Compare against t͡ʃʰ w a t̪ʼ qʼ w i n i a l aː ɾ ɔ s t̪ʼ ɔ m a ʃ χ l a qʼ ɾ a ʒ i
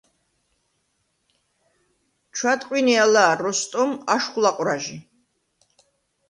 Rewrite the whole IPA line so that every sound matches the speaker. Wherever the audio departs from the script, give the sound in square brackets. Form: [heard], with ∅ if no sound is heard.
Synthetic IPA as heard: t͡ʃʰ w a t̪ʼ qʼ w i n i a l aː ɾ ɔ s t̪ʼ ɔ m a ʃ χ l a qʼ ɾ a ʒ i